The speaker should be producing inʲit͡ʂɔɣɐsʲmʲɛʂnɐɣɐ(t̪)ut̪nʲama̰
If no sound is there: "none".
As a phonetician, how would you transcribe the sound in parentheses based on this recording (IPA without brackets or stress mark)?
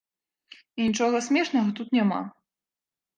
t̪